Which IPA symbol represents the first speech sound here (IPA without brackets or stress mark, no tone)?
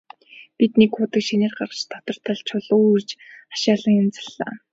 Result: p